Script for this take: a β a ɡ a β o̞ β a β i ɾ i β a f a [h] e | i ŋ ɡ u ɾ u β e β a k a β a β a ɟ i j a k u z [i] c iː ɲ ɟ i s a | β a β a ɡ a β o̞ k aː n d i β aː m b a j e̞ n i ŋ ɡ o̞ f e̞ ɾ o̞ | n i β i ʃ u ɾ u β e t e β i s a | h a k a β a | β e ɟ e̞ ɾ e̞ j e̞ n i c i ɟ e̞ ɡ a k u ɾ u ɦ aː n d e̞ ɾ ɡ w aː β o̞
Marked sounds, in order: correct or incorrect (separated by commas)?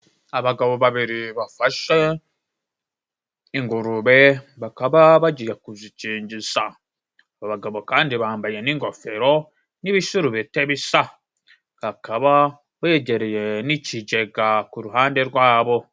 incorrect, correct